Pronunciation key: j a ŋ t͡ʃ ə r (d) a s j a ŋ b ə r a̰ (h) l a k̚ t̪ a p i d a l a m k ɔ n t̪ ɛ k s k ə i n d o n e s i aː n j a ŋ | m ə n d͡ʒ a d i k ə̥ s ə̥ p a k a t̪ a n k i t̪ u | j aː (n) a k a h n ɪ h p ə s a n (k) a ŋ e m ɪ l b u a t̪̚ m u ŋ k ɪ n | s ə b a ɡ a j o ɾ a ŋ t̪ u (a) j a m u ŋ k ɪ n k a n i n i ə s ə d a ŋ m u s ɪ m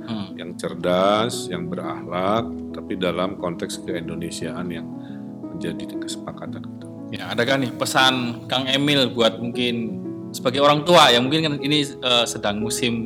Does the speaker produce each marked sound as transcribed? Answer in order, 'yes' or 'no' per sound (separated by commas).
yes, yes, no, yes, yes